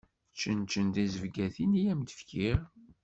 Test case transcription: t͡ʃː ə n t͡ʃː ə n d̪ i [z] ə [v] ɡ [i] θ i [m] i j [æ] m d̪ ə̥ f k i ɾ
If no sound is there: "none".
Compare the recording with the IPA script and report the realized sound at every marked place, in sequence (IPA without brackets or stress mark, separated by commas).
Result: z, v, æ, n, æ